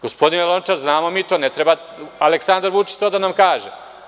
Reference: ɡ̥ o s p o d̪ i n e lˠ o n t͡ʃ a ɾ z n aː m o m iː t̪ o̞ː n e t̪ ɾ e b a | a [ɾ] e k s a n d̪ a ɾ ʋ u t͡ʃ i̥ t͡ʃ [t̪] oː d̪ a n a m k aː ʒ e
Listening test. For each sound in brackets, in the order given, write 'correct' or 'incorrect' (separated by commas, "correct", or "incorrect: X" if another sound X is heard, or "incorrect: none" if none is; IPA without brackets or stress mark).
incorrect: l, correct